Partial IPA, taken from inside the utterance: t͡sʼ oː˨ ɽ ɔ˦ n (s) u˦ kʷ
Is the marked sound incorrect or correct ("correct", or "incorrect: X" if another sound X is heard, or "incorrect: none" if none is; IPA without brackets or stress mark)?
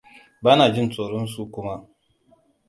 correct